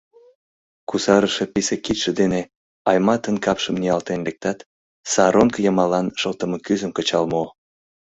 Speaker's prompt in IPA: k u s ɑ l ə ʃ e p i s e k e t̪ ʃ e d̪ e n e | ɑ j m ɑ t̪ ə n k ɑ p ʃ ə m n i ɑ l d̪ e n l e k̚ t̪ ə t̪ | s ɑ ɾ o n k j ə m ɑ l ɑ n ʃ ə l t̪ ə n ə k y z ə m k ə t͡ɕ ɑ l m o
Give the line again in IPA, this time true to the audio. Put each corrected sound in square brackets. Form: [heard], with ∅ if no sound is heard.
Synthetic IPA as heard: k u s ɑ [ɾ] ə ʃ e p i s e k [i] t̪ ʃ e d̪ e n e | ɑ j m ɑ t̪ ə n k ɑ p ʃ ə m n i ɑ l [t̪] e n l e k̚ t̪ [ɑ] t̪ | s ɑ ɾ o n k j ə m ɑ l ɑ n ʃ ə l t̪ ə [m] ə k y z ə m k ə t͡ɕ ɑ l m o